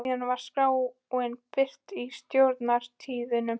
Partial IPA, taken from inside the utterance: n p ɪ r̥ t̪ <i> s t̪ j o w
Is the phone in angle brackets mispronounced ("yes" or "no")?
no